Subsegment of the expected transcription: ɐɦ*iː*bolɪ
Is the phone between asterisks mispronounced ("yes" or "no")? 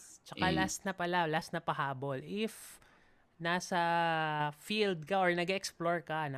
yes